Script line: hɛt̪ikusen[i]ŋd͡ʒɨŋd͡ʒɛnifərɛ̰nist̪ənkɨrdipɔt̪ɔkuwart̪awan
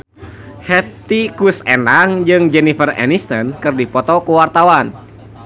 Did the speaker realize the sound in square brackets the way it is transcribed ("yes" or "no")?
no